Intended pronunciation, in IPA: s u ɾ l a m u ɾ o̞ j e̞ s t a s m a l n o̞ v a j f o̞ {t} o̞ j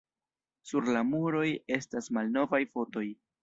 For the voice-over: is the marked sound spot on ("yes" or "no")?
yes